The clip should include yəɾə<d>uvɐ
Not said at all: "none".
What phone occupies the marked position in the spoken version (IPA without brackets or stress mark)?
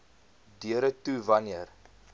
t